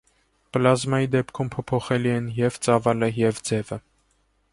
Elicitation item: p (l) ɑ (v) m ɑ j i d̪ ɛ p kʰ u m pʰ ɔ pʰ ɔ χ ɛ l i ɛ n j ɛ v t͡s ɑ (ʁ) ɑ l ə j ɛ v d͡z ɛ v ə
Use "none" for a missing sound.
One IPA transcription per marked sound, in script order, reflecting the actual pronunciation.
l, z, v

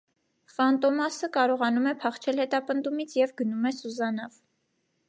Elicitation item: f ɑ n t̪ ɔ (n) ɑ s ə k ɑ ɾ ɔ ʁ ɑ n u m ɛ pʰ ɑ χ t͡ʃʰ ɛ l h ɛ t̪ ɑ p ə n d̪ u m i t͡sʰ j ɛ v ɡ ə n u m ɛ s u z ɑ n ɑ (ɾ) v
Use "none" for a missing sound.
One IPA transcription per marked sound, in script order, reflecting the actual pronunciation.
m, none

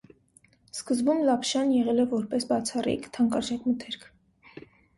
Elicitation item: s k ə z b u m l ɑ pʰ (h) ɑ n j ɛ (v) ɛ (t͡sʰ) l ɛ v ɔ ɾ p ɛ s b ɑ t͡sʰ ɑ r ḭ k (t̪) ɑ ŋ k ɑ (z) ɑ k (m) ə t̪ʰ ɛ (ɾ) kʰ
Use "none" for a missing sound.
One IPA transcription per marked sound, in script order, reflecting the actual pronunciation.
ʃ, ʁ, none, t̪ʰ, ʒ, m, ɾ

